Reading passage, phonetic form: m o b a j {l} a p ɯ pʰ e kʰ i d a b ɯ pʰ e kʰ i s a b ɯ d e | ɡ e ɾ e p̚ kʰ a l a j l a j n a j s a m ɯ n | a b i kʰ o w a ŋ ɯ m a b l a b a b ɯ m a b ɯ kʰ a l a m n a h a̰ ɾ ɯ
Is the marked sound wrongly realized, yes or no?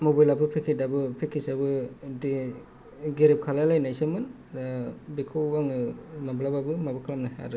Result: no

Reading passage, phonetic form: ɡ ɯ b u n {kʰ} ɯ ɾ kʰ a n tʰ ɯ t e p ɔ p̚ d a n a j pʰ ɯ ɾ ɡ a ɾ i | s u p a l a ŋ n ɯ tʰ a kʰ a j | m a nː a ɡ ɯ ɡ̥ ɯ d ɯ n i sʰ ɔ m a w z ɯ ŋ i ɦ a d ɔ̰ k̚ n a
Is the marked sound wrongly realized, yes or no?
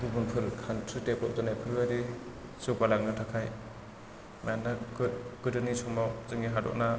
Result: yes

